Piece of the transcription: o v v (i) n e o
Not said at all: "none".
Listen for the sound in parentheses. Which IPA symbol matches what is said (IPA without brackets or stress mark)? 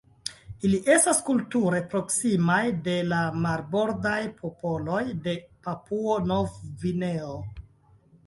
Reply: i